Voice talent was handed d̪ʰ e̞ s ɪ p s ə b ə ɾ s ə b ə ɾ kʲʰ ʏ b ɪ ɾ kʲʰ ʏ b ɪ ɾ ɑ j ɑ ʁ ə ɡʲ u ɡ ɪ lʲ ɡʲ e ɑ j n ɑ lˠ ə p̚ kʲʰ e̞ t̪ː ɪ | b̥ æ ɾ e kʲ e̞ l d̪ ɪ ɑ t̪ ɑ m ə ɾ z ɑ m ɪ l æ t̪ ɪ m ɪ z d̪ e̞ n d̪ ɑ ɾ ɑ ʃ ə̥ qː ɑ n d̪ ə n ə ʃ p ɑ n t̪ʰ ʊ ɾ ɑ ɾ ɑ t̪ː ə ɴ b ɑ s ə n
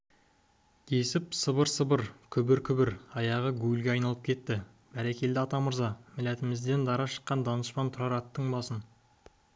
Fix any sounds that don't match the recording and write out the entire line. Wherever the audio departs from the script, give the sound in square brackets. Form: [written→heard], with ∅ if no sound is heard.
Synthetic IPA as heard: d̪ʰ e̞ s ɪ p s ə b ə ɾ s ə b ə ɾ kʲʰ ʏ b ɪ ɾ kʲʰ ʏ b ɪ ɾ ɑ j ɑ ʁ ə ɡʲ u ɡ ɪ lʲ ɡʲ e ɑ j n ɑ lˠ ə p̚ kʲʰ e̞ t̪ː ɪ | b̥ æ ɾ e kʲ e̞ l d̪ ɪ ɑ t̪ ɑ m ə ɾ z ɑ m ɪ l æ t̪ ɪ m ɪ z d̪ e̞ n d̪ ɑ ɾ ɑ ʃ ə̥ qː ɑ n d̪ [ə→ɑ] n ə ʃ p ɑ n t̪ʰ ʊ ɾ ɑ ɾ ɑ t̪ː ə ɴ b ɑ s ə n